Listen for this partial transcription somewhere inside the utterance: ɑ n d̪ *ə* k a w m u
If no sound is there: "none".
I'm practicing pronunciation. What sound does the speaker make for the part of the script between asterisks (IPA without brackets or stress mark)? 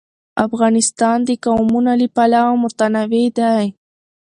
ə